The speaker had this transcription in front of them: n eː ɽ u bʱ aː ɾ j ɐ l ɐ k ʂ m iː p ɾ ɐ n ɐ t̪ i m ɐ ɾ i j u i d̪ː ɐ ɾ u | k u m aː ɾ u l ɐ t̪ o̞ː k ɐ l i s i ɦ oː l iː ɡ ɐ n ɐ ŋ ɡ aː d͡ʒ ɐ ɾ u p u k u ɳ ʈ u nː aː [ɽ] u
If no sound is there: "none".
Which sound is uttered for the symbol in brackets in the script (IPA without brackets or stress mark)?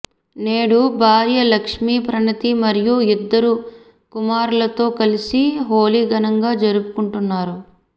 ɾ